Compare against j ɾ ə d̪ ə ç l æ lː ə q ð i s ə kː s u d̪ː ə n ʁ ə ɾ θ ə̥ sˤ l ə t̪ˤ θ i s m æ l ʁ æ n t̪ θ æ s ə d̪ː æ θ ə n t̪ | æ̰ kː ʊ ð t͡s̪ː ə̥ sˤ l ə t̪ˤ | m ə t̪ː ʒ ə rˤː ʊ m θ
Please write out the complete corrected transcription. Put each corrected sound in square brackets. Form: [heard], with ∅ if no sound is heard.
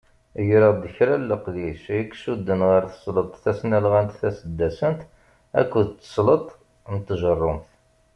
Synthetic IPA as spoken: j ɾ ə d̪ ə ç [ɾ] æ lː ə q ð i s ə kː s u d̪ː ə n ʁ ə ɾ θ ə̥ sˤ l ə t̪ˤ θ [æ] s [n] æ l ʁ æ n t̪ θ æ s ə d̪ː æ [s] ə n t̪ | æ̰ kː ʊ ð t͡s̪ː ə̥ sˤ l ə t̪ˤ | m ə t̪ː ʒ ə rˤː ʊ m θ